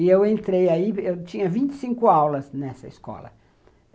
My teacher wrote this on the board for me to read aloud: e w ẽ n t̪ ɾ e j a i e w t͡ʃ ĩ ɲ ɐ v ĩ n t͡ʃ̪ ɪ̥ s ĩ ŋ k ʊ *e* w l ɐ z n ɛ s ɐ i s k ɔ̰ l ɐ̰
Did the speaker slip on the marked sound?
yes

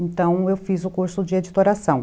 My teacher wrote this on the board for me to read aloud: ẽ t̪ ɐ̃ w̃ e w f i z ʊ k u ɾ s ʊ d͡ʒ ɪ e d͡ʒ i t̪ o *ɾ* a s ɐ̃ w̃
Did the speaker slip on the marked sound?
no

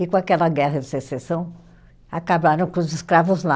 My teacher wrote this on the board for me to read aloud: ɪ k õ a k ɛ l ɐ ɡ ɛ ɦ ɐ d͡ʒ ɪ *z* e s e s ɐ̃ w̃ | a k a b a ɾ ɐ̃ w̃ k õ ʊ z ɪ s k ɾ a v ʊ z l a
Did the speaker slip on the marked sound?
yes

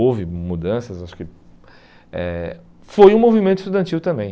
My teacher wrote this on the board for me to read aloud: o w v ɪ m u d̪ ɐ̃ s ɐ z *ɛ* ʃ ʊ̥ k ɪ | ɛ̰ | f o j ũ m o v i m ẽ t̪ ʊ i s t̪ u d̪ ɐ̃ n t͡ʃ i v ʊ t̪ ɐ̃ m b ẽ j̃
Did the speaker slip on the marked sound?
yes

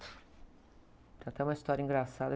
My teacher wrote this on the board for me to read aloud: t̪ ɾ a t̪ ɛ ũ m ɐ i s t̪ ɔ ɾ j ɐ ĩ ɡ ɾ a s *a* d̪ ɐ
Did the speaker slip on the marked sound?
no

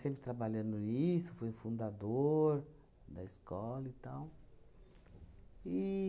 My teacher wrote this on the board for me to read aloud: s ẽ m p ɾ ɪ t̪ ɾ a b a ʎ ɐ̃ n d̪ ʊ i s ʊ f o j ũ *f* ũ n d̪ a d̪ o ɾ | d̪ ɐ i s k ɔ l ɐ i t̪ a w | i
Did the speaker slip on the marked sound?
no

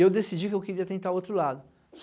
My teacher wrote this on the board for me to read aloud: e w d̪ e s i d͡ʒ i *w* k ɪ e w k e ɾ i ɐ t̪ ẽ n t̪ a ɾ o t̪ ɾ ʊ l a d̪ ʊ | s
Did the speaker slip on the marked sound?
yes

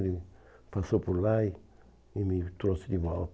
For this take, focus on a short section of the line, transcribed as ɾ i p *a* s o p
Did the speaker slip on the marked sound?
no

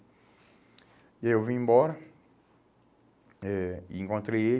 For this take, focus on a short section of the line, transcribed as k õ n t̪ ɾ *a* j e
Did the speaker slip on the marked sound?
yes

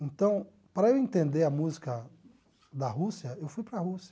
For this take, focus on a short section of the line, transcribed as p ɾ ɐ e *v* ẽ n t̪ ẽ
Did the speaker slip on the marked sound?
yes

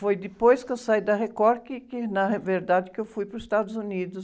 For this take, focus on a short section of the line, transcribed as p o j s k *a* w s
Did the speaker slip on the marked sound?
yes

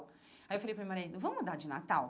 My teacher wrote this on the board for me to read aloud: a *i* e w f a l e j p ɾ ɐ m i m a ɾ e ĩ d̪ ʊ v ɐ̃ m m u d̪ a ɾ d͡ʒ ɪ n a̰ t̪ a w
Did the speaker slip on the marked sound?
yes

